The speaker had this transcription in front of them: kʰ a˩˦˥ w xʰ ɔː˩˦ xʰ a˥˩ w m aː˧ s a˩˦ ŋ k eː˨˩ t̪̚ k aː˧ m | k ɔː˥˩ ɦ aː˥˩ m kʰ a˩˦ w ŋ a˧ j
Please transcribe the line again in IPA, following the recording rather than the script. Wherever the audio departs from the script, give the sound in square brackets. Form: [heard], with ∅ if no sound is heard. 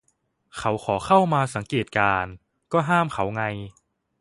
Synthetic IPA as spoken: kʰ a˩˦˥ w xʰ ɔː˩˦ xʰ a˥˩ w m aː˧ s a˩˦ ŋ k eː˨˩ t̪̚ k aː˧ [n] | k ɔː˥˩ ɦ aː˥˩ m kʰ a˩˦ w ŋ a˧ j